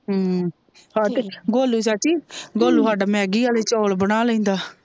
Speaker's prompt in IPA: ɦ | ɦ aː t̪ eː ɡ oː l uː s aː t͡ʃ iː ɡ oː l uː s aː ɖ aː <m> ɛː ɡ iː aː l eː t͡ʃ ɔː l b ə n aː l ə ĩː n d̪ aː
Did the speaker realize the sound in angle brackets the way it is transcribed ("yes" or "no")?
yes